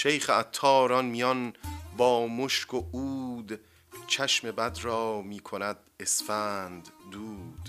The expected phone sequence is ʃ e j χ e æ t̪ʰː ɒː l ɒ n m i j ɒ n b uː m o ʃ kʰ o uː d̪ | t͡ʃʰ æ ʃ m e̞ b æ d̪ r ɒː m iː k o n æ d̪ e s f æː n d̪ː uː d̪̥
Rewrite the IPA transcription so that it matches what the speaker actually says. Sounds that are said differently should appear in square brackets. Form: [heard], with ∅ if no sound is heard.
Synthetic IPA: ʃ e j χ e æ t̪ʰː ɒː [ɾ] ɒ n m i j ɒ n b [ɒː] m o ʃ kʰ o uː d̪ | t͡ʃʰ æ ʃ m e̞ b æ d̪ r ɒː m iː [kʰ] o n æ d̪ e s f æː n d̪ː uː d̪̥